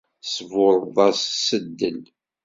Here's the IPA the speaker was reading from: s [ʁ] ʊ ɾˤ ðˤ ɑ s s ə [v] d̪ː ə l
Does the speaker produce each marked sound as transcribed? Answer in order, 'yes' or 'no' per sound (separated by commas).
no, no